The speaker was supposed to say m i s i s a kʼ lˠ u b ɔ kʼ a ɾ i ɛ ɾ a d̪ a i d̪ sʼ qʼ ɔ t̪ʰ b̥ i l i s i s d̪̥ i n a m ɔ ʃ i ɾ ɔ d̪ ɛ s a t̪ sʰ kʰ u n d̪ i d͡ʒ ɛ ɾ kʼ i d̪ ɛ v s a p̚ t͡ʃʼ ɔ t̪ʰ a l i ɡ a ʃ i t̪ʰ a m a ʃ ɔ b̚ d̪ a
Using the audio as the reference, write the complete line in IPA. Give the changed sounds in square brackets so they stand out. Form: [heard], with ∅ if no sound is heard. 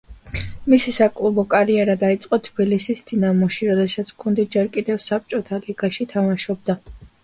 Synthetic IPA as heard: m i s i s a kʼ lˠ u b ɔ kʼ a ɾ i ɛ ɾ a d̪ a i [t̪] sʼ qʼ ɔ t̪ʰ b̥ i l i s i s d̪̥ i n a m ɔ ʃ i ɾ ɔ d̪ ɛ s a t̪ sʰ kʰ u n d̪ i d͡ʒ ɛ ɾ kʼ i d̪ ɛ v s a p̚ t͡ʃʼ ɔ t̪ʰ a l i ɡ a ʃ i t̪ʰ a m a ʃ ɔ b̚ d̪ a